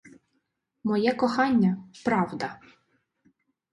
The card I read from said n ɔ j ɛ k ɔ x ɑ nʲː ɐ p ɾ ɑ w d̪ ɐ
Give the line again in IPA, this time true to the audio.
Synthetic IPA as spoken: m ɔ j ɛ k ɔ x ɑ nʲː ɐ p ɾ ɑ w d̪ ɐ